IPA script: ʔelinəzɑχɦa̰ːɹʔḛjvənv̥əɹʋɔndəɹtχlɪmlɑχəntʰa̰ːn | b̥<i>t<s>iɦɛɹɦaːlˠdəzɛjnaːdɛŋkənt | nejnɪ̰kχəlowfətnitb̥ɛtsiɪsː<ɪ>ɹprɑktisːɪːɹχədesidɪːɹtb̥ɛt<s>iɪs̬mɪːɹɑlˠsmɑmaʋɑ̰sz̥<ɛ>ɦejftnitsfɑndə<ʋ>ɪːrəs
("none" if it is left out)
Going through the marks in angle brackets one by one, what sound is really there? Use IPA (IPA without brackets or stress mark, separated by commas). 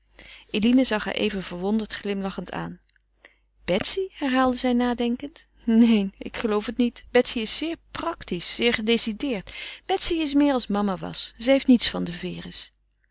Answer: ɛ, s, ɪː, s, ɛ, v